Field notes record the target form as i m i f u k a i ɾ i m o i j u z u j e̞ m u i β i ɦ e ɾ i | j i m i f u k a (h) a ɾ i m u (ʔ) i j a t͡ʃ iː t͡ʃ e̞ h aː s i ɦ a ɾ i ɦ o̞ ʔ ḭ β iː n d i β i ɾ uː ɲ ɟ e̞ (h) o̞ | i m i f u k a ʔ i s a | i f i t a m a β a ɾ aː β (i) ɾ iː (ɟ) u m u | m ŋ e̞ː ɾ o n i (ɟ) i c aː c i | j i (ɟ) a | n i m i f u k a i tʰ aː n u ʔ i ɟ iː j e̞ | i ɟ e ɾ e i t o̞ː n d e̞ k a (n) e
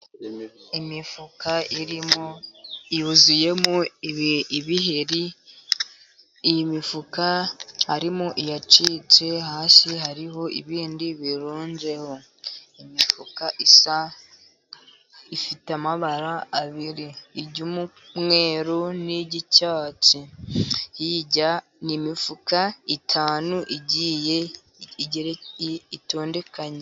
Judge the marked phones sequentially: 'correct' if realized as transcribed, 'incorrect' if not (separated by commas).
correct, correct, correct, correct, correct, correct, correct, incorrect